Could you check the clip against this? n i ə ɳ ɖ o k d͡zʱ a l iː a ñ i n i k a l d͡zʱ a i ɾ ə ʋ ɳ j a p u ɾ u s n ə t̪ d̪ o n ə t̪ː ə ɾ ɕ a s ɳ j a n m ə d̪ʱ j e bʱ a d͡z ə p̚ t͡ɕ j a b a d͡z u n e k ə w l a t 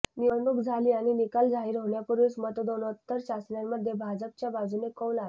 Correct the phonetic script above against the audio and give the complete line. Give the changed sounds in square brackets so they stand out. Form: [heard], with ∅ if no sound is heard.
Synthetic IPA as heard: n i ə ɳ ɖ [u] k d͡zʱ a l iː a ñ i n i k a l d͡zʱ a i ɾ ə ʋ ɳ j a p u ɾ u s [m] ə t̪ d̪ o n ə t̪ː ə ɾ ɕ a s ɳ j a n m ə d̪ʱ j e bʱ a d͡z ə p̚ t͡ɕ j a b a d͡z u n e k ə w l a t